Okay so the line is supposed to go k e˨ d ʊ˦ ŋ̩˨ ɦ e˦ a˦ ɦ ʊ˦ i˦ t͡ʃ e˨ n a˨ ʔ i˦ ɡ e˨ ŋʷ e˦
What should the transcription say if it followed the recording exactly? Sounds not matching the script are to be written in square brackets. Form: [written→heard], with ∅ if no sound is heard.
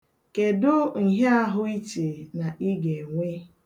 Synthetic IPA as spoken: k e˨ d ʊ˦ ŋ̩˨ ɦ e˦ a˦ ɦ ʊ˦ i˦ t͡ʃ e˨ n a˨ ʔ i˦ ɡ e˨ ŋʷ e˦